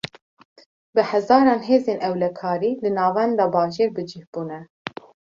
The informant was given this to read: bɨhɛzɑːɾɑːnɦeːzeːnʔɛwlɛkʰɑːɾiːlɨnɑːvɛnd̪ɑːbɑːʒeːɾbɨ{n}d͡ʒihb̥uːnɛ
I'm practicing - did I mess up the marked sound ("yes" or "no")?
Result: yes